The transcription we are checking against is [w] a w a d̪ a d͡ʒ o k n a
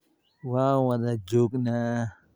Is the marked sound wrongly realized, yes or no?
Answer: no